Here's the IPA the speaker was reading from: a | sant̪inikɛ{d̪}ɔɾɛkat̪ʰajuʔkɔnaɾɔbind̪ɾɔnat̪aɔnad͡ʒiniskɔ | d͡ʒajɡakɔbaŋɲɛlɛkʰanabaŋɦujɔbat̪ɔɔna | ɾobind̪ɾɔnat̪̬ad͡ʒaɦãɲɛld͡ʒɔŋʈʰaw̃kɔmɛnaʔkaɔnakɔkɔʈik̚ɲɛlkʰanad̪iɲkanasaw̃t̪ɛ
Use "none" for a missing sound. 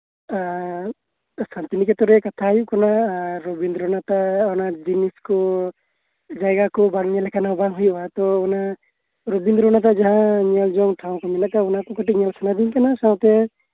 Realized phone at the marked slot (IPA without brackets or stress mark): t̪